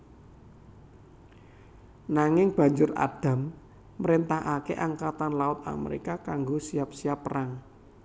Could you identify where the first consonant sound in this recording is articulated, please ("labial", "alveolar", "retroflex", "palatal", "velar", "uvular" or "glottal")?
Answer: alveolar